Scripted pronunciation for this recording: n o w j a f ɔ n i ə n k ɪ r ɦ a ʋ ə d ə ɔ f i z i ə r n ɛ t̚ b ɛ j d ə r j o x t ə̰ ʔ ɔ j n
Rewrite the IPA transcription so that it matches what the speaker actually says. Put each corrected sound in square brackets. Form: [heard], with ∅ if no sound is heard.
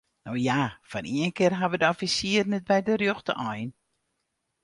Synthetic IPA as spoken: n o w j a f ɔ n i ə n k ɪ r ɦ a ʋ ə d ə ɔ f i [s] i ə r n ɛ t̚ b ɛ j d ə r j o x t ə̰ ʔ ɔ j n